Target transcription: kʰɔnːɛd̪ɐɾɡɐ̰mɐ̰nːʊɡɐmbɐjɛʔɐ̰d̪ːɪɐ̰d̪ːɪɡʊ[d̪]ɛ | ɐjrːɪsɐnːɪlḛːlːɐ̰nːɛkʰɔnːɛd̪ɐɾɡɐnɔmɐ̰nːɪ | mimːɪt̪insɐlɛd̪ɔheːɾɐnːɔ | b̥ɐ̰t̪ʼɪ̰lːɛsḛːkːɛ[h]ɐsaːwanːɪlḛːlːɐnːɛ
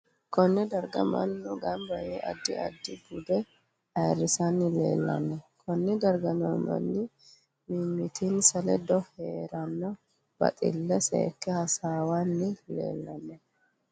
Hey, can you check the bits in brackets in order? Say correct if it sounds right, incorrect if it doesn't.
correct, correct

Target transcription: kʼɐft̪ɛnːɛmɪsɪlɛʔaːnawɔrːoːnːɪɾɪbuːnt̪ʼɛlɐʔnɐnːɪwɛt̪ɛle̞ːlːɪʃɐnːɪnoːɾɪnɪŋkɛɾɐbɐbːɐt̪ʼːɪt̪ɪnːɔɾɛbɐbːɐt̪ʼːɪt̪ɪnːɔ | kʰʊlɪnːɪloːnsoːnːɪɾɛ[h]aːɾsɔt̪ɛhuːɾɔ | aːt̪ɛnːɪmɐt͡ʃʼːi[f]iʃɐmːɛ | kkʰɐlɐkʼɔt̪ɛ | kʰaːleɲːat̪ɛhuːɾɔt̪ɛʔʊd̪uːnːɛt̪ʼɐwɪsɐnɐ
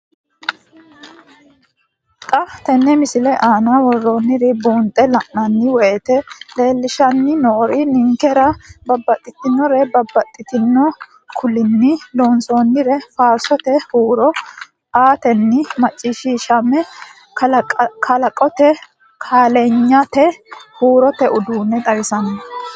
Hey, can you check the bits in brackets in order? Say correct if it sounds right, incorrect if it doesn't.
incorrect: f, incorrect: ʃ

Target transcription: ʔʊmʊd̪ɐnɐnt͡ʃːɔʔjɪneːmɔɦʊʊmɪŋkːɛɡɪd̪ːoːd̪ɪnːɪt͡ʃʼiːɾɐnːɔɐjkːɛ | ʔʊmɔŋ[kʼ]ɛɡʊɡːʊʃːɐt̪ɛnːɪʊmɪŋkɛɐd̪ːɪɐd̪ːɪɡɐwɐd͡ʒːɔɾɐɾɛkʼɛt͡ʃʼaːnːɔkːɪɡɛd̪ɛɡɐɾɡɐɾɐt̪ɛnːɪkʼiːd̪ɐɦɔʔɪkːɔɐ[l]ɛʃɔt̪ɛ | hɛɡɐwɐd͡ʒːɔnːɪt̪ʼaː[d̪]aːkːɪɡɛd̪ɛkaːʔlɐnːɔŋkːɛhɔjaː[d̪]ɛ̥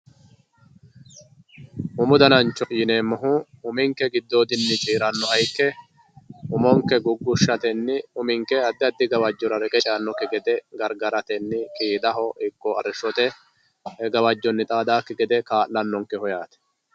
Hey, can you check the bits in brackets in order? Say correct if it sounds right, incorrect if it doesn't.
incorrect: k, incorrect: ɾ, correct, incorrect: t̪

